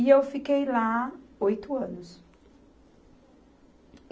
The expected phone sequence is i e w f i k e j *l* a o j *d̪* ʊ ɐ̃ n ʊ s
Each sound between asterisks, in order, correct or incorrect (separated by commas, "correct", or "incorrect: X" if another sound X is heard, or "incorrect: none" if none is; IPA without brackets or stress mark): correct, incorrect: t̪